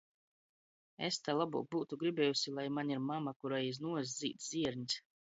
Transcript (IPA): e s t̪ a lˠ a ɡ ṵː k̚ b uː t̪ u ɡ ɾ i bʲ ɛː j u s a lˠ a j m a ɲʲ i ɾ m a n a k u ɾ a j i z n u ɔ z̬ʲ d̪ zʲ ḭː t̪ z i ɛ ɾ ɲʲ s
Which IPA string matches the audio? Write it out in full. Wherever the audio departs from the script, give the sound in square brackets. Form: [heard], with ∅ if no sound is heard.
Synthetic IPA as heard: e s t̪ a lˠ a [b] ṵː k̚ b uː t̪ u ɡ ɾ i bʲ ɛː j u s [i] lˠ a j m a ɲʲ i ɾ m a [m] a k u ɾ a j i z n u ɔ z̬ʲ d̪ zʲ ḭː t̪ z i ɛ ɾ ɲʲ s